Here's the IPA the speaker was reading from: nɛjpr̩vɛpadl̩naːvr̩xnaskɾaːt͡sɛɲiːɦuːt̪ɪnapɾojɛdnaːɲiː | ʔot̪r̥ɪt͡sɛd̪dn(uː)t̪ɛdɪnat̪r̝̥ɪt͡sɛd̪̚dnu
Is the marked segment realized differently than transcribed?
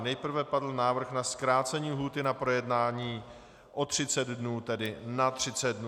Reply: no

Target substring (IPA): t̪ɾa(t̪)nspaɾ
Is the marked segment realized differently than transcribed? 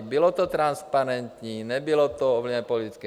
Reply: yes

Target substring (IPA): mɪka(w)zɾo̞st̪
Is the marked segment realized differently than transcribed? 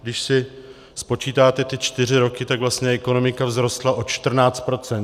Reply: yes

